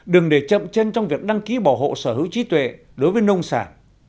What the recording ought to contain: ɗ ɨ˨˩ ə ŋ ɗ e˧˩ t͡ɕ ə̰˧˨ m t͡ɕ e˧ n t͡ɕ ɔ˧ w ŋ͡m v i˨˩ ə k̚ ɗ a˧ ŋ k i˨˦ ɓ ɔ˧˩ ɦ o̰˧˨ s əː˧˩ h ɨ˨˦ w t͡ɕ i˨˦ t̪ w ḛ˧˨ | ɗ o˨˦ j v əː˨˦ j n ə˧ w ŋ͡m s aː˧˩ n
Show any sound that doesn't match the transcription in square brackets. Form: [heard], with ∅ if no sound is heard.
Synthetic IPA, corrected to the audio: ɗ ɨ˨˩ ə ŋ ɗ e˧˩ t͡ɕ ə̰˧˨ m t͡ɕ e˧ n t͡ɕ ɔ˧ w ŋ͡m v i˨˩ ə k̚ ɗ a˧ ŋ k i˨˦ ɓ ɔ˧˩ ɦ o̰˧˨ s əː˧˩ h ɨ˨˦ w t͡ɕ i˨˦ t̪ w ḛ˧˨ | ɗ o˨˦ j v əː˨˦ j n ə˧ w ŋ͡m s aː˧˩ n